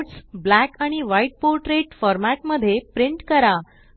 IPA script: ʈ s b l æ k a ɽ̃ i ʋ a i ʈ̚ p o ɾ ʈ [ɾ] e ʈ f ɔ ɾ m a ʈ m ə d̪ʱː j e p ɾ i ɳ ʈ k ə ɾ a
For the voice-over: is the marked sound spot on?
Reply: yes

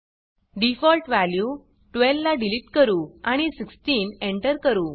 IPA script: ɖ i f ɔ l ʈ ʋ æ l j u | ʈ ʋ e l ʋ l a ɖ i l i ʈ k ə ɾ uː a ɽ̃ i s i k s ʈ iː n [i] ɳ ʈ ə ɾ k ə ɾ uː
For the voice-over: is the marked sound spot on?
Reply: no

